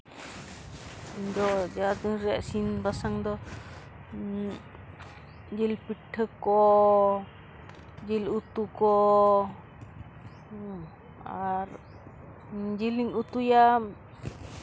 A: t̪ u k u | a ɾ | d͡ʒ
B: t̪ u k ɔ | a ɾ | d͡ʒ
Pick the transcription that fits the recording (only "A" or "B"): B